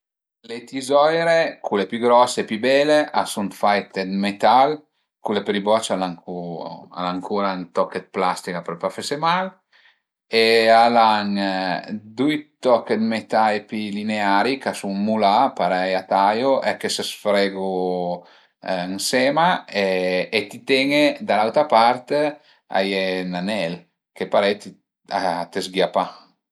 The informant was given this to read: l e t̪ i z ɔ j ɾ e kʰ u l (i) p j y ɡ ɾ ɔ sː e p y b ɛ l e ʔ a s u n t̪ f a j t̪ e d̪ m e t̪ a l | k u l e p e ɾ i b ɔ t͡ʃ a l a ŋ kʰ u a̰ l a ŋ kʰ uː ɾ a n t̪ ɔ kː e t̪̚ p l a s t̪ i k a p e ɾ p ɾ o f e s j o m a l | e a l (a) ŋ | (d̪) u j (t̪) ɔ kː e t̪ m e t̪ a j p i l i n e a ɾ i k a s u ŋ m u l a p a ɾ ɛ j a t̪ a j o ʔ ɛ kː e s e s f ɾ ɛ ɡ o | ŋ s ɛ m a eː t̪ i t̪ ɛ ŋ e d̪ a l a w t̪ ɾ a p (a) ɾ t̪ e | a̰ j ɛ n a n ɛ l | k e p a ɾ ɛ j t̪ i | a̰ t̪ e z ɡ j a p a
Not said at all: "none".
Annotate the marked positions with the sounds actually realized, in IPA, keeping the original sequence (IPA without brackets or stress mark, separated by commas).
e, a, d̪, t̪, a